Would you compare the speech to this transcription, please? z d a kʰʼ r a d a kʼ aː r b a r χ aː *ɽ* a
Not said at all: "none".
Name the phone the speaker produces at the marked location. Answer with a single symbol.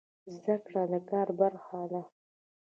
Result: l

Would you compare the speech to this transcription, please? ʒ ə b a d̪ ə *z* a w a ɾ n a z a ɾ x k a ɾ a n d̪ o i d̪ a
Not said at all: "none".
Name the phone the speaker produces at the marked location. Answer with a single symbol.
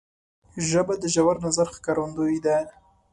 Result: ʒ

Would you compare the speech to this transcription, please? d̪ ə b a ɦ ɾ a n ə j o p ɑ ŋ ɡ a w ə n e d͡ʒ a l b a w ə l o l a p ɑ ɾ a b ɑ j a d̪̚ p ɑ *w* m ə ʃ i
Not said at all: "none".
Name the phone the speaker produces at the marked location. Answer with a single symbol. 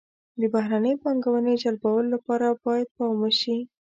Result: w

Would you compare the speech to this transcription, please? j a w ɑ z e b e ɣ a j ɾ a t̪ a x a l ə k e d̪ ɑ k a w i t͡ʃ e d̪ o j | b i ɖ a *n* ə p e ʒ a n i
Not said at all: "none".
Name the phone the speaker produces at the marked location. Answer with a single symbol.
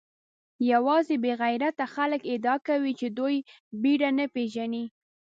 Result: n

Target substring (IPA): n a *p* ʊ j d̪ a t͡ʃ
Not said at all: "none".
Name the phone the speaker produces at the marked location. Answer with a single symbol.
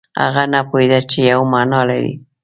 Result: p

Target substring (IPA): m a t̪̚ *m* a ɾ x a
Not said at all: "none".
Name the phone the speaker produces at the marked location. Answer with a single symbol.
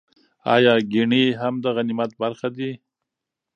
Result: b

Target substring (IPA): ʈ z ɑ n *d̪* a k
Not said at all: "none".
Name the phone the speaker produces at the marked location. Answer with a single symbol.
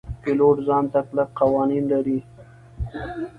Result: t̪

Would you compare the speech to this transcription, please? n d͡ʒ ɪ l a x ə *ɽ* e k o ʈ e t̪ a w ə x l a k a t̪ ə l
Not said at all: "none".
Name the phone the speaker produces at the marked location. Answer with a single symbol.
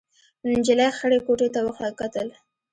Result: ɽ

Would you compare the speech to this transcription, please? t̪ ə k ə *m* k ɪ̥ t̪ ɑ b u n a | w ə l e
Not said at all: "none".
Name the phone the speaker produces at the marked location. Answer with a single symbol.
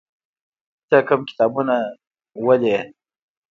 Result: m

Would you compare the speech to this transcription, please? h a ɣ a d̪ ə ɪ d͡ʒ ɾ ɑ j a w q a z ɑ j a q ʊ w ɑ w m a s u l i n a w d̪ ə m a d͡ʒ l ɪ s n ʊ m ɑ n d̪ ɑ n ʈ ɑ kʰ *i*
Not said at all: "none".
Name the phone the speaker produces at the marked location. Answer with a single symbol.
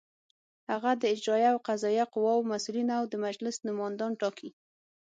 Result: i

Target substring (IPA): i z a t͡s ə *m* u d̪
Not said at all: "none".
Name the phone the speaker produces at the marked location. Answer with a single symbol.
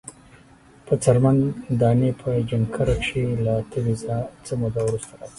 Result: m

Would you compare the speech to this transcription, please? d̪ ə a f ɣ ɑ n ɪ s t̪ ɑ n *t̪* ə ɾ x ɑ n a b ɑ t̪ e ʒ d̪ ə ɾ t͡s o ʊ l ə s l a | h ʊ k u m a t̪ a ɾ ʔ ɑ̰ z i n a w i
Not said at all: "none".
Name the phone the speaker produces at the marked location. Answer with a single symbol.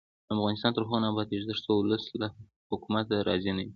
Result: t̪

